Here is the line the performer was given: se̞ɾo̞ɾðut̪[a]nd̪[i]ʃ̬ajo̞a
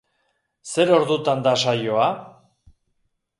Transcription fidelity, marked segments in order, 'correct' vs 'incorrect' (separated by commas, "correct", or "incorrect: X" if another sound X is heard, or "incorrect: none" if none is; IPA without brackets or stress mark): correct, incorrect: a